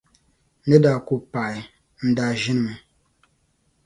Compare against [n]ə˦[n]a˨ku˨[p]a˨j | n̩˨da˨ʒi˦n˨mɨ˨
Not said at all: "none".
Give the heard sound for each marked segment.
n, d, p

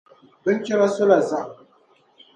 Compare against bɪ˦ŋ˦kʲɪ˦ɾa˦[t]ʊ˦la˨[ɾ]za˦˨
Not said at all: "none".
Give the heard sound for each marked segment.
s, none

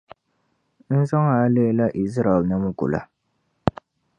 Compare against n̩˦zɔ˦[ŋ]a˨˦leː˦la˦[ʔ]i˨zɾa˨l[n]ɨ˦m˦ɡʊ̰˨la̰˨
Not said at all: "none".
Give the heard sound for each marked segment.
ŋ, ʔ, n

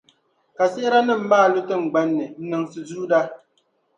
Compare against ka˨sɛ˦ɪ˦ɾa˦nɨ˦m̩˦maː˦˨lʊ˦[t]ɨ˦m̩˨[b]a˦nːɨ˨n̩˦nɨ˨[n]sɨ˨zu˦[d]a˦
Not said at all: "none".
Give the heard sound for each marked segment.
t, ɡ͡b, ŋ, d

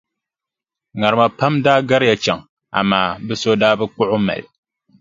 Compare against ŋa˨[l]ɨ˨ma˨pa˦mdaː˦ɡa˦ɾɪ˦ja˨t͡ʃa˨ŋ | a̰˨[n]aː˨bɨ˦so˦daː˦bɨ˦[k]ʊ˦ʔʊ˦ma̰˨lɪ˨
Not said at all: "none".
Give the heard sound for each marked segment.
ɾ, m, k͡p

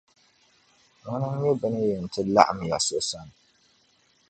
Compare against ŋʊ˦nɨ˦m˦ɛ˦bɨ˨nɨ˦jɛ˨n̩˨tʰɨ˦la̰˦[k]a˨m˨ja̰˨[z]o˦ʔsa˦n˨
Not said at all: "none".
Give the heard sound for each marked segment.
ʔ, s

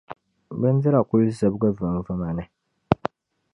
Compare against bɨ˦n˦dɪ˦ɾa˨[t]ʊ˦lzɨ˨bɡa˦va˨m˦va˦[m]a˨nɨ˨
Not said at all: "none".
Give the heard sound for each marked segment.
k, m

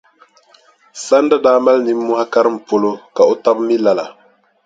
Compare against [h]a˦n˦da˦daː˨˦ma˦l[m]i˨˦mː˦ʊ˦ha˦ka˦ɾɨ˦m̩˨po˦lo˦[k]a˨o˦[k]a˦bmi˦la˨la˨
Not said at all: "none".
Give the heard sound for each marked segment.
s, n, k, t

